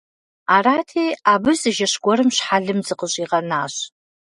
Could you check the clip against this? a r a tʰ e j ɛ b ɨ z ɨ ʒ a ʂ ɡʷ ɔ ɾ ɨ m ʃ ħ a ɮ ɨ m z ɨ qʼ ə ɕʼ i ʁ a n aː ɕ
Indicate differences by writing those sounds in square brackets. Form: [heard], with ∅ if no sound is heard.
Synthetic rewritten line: a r a tʰ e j [a] b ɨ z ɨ ʒ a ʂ ɡʷ ɔ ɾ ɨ m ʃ ħ a ɮ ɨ m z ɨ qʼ ə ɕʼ i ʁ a n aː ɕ